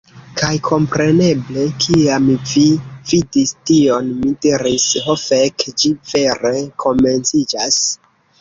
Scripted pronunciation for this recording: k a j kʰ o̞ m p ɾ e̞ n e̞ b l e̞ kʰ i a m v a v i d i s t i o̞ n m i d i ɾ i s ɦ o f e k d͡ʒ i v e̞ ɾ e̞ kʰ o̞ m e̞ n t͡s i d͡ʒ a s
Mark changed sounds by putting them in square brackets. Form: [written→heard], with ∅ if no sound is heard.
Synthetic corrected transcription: k a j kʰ o̞ m p ɾ e̞ n e̞ b l e̞ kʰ i a m v [a→i] v i d i s t i o̞ n m i d i ɾ i s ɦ o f e k d͡ʒ i v e̞ ɾ e̞ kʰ o̞ m e̞ n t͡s i d͡ʒ a s

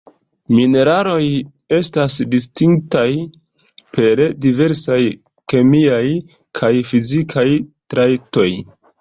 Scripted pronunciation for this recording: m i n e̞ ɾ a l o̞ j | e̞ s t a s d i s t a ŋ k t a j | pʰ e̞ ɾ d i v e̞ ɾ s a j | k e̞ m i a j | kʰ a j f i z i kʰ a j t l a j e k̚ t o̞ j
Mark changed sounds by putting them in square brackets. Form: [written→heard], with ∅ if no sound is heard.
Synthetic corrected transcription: m i n e̞ ɾ a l o̞ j | e̞ s t a s d i s t [a→i] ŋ k t a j | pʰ e̞ ɾ d i v e̞ ɾ s a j | k e̞ m i a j | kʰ a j f i z i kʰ a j t [l→ɾ] a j e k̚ t o̞ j

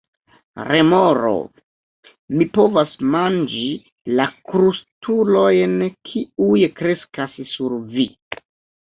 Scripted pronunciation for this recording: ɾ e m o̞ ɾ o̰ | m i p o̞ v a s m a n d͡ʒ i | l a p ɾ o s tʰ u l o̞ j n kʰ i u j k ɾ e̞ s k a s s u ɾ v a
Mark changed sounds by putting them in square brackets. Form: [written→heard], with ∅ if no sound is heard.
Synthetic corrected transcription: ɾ e m o̞ ɾ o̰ | m i p o̞ v a s m a n d͡ʒ i | l a [p→k] ɾ [o→u] s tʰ u l o̞ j n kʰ i u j k ɾ e̞ s k a s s u ɾ v [a→i]

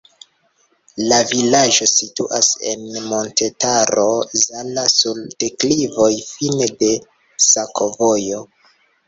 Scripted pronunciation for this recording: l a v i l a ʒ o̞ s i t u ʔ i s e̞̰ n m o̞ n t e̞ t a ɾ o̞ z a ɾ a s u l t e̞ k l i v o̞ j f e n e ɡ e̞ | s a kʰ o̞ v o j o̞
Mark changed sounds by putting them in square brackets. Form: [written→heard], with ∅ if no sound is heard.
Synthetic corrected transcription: l a v i l a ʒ o̞ s i t u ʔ [i→a] s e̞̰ n m o̞ n t e̞ t a ɾ o̞ z a [ɾ→l] a s u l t e̞ k l i v o̞ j f [e→i] n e [ɡ→d] e̞ | s a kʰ o̞ v o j o̞

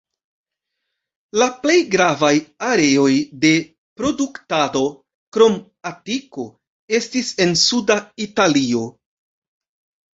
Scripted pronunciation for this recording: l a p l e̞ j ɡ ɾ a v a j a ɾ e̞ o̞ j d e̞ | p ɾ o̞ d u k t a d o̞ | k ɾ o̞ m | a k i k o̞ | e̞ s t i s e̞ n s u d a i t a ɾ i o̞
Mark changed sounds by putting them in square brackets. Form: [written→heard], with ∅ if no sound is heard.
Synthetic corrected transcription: l a p l e̞ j ɡ ɾ a v a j a ɾ e̞ o̞ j d e̞ | p ɾ o̞ d u k t a d o̞ | k ɾ o̞ m | a [k→t] i k o̞ | e̞ s t i s e̞ n s u d a i t a [ɾ→l] i o̞

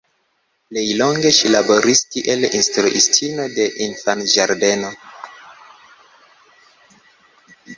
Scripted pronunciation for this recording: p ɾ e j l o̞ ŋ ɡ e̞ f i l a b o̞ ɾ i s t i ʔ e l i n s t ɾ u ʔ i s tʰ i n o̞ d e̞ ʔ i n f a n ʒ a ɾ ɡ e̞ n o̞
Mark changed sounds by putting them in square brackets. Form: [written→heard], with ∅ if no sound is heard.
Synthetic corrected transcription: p [ɾ→l] e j l o̞ ŋ ɡ e̞ [f→ʃ] i l a b o̞ ɾ i s t i ʔ e l i n s t ɾ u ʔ i s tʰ i n o̞ d e̞ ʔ i n f a n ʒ a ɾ [ɡ→d] e̞ n o̞

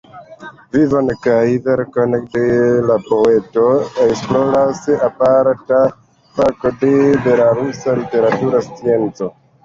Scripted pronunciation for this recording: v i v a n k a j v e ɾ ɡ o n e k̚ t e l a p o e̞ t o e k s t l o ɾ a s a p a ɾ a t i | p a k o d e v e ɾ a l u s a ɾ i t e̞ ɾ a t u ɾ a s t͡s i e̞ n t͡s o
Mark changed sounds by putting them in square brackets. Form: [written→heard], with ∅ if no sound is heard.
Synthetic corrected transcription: v i v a n k a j v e ɾ [ɡ→k] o n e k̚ [t→d] e l a p o e̞ t o e k s [t→p] l o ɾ a s a p a ɾ a t [i→a] | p a k o d e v e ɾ a [l→ɾ] u s a [ɾ→l] i t e̞ ɾ a t u ɾ a s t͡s i e̞ n t͡s o

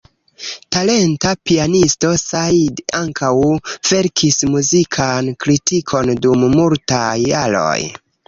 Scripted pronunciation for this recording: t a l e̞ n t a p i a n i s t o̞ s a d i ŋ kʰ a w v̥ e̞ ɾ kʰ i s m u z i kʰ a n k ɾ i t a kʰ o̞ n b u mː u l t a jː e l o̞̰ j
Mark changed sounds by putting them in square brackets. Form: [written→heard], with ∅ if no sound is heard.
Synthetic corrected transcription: t a l e̞ n t a p i a n i s t o̞ s a d [i→a] ŋ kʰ a w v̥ e̞ ɾ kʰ i s m u z i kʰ a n k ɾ i t [a→i] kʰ o̞ n [b→d] u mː u l t a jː [e→a] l o̞̰ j

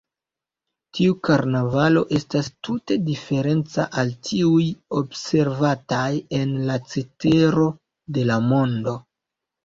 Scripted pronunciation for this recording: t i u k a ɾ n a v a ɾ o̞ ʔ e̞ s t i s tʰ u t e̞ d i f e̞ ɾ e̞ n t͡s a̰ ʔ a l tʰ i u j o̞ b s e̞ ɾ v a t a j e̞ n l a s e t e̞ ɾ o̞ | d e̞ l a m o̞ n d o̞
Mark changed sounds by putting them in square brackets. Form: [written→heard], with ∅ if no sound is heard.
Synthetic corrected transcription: t i u k a ɾ n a v a [ɾ→l] o̞ ʔ e̞ s t [i→a] s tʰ u t e̞ d i f e̞ ɾ e̞ n t͡s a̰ ʔ a l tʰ i u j o̞ b s e̞ ɾ v a t a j e̞ n l a [s→t͡s] e t e̞ ɾ o̞ | d e̞ l a m o̞ n d o̞

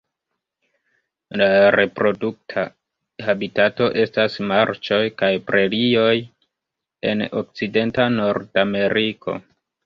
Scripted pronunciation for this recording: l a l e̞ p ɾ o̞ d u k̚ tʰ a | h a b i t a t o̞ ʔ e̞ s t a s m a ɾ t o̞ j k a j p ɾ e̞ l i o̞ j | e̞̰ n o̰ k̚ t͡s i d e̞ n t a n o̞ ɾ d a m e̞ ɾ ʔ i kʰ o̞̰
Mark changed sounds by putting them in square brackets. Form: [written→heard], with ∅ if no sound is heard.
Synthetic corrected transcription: l a [l→ɾ] e̞ p ɾ o̞ d u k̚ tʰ a | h a b i t a t o̞ ʔ e̞ s t a s m a ɾ [t→t͡ʃ] o̞ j k a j p ɾ e̞ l i o̞ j | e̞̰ n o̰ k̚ t͡s i d e̞ n t a n o̞ ɾ d a m e̞ ɾ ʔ i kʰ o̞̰

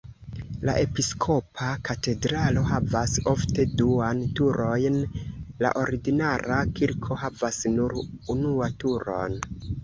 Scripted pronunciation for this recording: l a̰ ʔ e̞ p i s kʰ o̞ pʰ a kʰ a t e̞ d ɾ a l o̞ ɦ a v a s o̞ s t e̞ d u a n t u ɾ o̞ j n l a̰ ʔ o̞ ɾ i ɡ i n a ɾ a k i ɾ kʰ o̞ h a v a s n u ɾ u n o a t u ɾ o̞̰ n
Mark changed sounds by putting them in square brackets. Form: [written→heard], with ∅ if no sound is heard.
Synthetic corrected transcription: l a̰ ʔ e̞ p i s kʰ o̞ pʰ a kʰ a t e̞ d ɾ a l o̞ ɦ a v a s o̞ [s→f] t e̞ d u a n t u ɾ o̞ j n l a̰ ʔ o̞ ɾ i ɡ i n a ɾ a k i ɾ kʰ o̞ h a v a s n u ɾ u n [o→u] a t u ɾ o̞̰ n

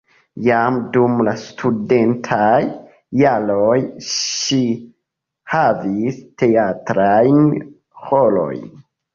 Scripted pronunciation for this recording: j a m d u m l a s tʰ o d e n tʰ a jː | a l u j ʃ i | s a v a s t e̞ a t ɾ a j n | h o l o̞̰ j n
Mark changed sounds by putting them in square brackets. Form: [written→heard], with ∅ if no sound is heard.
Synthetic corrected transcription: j a m d u m l a s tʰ [o→u] d e n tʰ a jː | a l [u→o] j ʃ i | [s→h] a v [a→i] s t e̞ a t ɾ a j n | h o l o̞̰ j n

